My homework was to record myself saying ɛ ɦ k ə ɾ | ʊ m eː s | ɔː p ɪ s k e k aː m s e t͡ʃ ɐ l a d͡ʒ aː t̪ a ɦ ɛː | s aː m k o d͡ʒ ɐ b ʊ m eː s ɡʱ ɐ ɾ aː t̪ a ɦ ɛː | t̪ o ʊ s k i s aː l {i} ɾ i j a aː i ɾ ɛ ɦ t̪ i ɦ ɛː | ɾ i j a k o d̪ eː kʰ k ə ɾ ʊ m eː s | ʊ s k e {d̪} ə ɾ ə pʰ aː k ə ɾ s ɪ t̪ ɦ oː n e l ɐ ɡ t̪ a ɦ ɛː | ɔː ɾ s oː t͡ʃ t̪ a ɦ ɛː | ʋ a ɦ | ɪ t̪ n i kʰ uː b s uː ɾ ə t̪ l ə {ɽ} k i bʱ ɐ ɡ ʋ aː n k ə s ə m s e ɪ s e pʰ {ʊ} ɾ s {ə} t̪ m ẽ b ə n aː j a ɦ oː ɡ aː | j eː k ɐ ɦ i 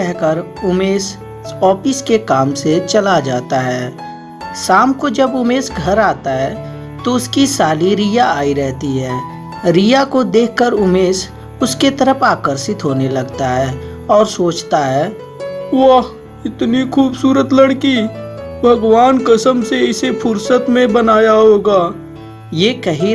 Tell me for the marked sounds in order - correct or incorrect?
correct, incorrect: t̪, correct, correct, correct

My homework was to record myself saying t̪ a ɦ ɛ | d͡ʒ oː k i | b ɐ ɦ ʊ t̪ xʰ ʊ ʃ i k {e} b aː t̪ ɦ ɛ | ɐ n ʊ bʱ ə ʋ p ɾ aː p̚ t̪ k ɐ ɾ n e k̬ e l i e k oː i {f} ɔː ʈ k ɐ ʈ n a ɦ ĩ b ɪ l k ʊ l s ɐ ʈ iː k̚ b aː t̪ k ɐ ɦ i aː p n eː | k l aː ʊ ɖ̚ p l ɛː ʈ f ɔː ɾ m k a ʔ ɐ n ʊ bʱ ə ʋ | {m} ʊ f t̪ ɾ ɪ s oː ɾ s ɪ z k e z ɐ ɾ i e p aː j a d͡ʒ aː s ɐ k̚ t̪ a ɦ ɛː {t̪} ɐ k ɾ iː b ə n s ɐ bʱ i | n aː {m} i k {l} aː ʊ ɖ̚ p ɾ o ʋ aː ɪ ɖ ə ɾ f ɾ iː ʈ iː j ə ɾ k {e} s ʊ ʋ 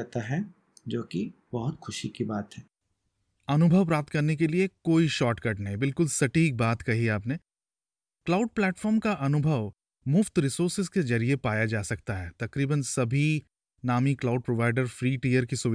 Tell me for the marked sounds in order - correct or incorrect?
incorrect: i, incorrect: ʃ, correct, correct, correct, correct, incorrect: i

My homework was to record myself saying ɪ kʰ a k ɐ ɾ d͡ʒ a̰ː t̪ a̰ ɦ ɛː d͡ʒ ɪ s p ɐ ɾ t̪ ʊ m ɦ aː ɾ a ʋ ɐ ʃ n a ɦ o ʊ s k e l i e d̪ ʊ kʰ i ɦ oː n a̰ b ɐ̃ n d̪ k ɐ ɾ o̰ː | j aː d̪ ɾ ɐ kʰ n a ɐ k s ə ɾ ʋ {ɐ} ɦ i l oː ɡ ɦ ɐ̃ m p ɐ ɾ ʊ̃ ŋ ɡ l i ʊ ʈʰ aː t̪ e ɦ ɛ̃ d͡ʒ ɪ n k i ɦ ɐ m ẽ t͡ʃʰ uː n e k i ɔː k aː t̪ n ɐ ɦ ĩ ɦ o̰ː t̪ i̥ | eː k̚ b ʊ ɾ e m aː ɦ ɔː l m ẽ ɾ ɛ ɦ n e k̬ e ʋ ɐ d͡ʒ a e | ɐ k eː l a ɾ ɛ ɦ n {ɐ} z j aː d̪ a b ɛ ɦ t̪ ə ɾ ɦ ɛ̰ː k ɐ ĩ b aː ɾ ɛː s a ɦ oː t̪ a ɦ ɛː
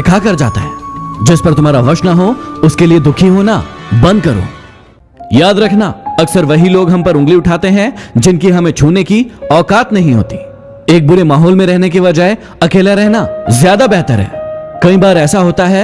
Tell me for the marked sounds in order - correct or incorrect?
correct, incorrect: a

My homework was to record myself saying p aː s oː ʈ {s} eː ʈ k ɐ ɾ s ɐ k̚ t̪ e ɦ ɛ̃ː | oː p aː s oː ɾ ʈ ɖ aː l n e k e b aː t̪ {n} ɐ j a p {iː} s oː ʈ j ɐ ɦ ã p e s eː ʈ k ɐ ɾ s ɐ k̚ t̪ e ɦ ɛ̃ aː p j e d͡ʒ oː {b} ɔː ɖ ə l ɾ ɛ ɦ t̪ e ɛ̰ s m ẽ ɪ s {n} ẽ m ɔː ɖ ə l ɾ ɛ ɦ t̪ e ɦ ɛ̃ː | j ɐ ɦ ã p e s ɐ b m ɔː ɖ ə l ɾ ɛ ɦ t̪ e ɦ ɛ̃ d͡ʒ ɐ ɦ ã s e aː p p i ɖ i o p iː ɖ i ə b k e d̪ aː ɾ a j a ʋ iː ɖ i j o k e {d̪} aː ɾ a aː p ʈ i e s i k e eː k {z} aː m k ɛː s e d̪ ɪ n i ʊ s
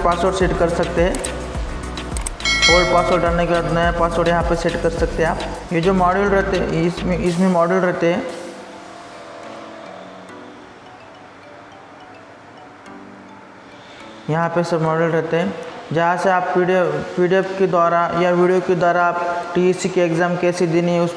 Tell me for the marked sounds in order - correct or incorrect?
correct, correct, incorrect: aː, incorrect: m, incorrect: m, correct, correct

